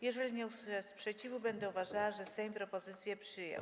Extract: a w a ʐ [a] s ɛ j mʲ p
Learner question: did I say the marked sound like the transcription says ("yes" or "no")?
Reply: no